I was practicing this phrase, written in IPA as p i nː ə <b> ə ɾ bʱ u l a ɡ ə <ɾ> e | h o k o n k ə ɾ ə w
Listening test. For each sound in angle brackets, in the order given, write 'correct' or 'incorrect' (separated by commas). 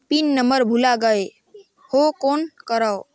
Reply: incorrect, incorrect